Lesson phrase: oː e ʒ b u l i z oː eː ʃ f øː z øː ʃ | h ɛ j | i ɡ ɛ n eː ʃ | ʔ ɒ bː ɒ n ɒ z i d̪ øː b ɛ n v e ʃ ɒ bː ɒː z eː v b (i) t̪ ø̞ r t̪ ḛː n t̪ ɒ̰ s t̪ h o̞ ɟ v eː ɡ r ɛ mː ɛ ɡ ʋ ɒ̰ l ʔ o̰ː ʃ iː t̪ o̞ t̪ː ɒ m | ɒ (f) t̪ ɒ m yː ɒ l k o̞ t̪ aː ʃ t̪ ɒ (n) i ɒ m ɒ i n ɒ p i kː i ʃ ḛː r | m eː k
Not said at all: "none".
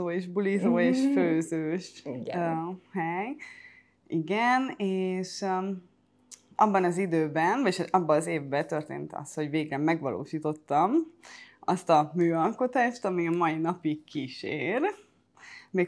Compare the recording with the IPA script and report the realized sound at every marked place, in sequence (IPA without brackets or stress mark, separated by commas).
ɛ, s, m